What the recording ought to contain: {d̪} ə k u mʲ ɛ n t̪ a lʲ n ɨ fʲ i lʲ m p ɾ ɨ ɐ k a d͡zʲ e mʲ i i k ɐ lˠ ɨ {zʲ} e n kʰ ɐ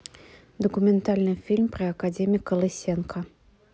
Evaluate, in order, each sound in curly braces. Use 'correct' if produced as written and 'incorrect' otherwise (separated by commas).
correct, incorrect